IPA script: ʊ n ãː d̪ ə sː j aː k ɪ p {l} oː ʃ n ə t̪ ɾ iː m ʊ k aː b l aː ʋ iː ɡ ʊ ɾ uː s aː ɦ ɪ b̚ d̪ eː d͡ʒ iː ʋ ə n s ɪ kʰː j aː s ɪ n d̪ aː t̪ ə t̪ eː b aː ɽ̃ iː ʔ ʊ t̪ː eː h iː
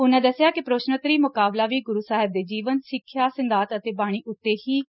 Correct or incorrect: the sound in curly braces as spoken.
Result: incorrect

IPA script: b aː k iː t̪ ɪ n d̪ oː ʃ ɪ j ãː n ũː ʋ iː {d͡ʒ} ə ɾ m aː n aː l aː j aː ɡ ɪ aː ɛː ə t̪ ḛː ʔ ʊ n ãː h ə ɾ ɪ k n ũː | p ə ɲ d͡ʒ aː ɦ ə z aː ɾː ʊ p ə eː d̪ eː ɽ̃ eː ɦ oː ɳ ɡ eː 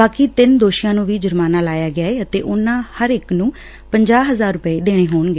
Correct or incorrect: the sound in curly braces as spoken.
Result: correct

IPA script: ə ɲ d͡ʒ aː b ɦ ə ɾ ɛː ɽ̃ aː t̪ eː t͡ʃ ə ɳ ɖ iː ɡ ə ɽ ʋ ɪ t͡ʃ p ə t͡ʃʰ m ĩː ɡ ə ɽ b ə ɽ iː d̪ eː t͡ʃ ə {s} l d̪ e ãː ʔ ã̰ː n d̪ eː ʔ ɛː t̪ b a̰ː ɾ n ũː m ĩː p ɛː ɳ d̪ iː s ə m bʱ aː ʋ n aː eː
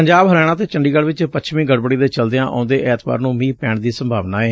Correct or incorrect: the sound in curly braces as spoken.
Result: incorrect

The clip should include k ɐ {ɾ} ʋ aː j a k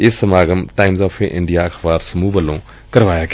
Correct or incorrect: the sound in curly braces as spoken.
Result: correct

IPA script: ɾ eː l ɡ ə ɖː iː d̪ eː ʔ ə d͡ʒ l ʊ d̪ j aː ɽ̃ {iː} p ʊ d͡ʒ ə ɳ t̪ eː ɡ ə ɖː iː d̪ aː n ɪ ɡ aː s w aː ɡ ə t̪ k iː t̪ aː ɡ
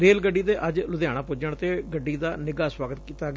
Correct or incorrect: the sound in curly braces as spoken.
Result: incorrect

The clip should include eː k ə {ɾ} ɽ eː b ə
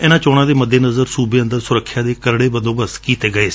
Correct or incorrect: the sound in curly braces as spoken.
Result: correct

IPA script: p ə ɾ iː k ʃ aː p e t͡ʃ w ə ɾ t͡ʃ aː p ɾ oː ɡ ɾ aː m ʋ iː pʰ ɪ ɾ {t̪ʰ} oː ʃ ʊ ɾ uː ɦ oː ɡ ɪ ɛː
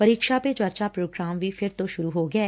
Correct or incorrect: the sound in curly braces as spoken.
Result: incorrect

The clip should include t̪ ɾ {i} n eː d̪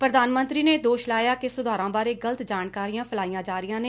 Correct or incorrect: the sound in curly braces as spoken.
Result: incorrect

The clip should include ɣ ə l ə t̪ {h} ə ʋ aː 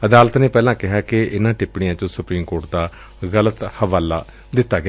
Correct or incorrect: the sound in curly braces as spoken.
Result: correct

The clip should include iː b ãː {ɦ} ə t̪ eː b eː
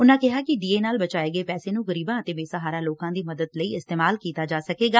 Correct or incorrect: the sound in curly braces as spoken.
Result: incorrect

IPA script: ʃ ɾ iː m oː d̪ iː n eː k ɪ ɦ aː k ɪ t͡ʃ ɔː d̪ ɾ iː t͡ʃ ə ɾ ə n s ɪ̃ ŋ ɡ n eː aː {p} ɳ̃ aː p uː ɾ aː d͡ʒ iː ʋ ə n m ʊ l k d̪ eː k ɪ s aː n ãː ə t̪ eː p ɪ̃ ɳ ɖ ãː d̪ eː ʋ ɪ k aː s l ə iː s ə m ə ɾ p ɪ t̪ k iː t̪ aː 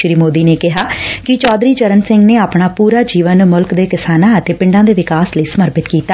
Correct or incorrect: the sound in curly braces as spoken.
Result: correct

